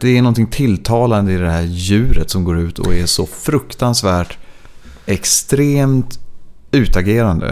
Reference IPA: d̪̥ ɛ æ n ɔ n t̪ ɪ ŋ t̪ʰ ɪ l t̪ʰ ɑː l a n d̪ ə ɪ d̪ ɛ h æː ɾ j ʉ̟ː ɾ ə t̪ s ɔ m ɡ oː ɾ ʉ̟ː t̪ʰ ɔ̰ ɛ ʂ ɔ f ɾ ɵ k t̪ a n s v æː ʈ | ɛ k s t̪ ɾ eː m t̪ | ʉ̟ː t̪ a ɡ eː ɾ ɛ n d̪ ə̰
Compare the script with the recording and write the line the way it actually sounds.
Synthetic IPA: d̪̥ ɛ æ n ɔ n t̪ ɪ ŋ t̪ʰ ɪ l t̪ʰ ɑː l a n d̪ ə ɪ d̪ ɛ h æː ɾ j ʉ̟ː ɾ ə t̪ s ɔ m ɡ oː ɾ ʉ̟ː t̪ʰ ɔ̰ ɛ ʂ ɔ f ɾ ɵ k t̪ a n s v æː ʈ | ɛ k s t̪ ɾ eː m t̪ | ʉ̟ː t̪ a ɡ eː ɾ a n d̪ ə̰